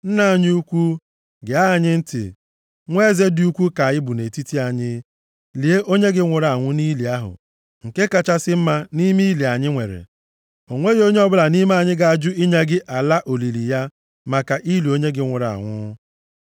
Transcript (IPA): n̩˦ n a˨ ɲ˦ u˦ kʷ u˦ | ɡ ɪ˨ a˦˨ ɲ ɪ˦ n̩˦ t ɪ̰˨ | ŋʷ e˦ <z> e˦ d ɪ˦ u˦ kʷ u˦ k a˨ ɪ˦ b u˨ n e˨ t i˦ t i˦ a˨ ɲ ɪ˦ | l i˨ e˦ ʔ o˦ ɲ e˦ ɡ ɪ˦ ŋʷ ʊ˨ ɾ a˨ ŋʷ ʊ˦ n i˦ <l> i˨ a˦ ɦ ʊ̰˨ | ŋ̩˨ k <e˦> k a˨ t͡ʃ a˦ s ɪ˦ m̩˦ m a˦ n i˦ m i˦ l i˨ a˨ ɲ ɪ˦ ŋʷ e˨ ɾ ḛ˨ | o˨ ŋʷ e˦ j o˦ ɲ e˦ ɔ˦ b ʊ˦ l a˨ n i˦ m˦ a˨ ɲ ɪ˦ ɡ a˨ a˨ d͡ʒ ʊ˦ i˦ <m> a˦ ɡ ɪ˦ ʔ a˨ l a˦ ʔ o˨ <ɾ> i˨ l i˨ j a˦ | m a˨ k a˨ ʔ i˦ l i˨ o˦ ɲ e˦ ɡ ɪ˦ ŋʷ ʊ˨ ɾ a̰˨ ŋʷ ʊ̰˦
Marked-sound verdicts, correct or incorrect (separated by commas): correct, correct, correct, incorrect, incorrect